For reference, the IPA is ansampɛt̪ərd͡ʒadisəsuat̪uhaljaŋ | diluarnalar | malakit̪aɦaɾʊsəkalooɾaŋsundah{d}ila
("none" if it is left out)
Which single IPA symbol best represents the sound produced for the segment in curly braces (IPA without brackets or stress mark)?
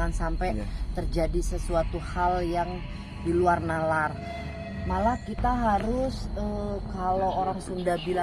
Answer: b